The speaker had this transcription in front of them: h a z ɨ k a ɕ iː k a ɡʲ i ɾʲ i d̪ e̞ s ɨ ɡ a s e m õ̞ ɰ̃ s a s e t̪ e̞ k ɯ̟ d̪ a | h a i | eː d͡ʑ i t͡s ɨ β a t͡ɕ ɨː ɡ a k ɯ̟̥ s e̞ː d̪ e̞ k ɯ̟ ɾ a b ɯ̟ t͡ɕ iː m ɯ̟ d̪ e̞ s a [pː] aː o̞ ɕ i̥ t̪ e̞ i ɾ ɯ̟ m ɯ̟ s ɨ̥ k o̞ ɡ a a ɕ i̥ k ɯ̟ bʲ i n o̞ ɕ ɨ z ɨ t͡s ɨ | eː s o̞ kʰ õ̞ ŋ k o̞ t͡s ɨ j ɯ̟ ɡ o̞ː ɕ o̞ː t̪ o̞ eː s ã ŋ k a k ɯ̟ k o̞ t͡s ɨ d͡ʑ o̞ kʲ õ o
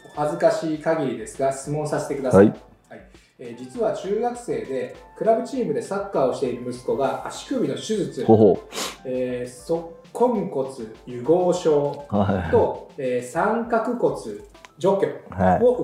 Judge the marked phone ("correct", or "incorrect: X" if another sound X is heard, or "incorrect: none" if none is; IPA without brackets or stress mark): incorrect: kː